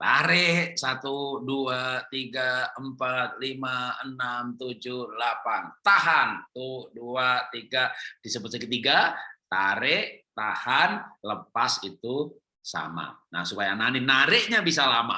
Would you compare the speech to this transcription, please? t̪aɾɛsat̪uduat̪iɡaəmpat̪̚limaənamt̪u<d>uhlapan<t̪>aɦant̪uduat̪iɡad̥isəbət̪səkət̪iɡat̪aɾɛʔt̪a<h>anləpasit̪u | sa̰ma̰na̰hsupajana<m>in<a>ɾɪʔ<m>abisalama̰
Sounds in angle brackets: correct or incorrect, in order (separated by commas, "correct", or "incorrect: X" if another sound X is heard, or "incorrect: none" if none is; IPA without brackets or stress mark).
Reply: incorrect: d͡ʒ, correct, correct, incorrect: n, correct, incorrect: ɲ